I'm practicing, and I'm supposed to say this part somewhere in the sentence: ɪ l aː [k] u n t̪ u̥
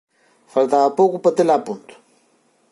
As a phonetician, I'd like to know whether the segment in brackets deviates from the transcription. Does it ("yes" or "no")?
yes